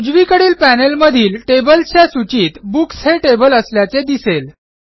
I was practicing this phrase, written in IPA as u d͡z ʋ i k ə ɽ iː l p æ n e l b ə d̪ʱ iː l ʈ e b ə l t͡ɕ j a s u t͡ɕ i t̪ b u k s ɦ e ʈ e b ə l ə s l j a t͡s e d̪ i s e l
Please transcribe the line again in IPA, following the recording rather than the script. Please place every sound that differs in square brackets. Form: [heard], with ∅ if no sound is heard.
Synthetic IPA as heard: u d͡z ʋ i k ə ɽ iː l p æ n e l [m] ə d̪ʱ iː l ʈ e b ə l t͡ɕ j a s u t͡ɕ [iː] t̪ b u k s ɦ e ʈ e b ə l ə s l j a t͡s e d̪ i s e l